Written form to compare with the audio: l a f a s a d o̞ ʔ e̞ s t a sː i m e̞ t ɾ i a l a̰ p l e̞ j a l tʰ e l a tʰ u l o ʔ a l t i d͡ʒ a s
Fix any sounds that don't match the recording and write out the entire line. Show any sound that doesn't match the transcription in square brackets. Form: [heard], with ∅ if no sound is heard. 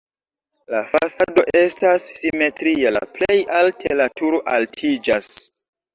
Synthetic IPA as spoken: l a f a s a d o̞ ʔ e̞ s t a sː i m e̞ t ɾ i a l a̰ p l e̞ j a l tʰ e l a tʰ u [ɾ] o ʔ a l [tʰ] i d͡ʒ a s

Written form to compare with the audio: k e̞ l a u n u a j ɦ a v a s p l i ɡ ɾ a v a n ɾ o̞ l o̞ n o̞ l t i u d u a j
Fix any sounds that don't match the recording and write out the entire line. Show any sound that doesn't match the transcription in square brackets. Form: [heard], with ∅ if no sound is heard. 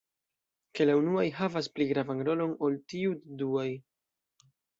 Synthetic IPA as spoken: k e̞ l a u n u a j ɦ a v a s p l i ɡ ɾ a v a n ɾ o̞ l o̞ n o̞ l t i u d u a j

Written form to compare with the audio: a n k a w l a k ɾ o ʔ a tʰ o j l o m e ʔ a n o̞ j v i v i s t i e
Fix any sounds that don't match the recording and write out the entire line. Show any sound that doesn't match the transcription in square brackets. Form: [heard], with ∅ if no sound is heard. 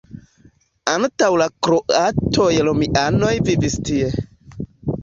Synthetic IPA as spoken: a n [t] a w l a k ɾ o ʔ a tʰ o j l o m [i] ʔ a n o̞ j v i v i s t i e

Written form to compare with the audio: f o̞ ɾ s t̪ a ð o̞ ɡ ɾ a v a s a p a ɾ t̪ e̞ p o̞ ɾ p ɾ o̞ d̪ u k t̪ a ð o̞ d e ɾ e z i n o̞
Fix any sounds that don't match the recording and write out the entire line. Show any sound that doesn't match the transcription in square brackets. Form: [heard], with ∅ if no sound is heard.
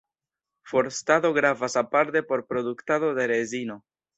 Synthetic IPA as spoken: f o̞ ɾ s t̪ a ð o̞ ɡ ɾ a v a s a p a ɾ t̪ e̞ p o̞ ɾ p ɾ o̞ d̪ u k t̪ a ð o̞ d e ɾ e z i n o̞

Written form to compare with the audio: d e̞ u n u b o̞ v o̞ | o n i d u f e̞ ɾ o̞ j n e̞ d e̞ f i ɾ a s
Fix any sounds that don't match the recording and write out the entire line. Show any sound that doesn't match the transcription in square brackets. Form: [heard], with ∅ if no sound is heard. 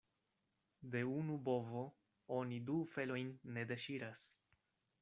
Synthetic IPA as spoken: d e̞ u n u b o̞ v o̞ | o n i d u f e̞ [l] o̞ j [nː] e̞ d e̞ [ʃ] i ɾ a s

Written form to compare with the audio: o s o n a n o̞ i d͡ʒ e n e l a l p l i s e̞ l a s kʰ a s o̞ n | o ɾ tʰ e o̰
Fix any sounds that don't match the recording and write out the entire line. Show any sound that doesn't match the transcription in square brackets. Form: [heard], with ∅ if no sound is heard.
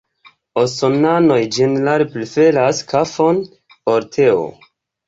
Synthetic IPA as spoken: o s o n a n o̞ [j] d͡ʒ e n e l a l p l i [f] e̞ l a s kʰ a [f] o̞ n | o ɾ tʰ e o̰

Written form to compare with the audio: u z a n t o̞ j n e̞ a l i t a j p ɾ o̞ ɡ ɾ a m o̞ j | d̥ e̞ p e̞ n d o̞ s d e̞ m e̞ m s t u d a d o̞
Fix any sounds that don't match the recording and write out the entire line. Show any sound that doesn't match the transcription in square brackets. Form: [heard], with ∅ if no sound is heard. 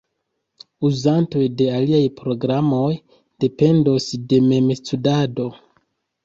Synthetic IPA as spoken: u z a n t o̞ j [d] e̞ a l i [∅] a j p ɾ o̞ ɡ ɾ a m o̞ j | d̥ e̞ p e̞ n d o̞ s d e̞ m e̞ m s t u d a d o̞

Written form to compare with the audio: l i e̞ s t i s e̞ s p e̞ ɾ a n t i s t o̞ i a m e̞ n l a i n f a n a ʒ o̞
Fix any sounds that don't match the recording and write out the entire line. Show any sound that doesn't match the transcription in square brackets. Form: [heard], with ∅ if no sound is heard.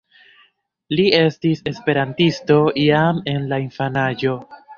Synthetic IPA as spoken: l i e̞ s t i s e̞ s p e̞ ɾ a n t i s t o̞ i a m e̞ n l a i n f a n a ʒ o̞

